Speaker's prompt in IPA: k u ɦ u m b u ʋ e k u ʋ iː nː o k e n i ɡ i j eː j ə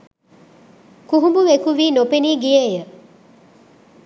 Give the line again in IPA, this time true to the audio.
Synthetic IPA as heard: k u ɦ u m b u ʋ e k u ʋ iː n o p e n iː ɡ i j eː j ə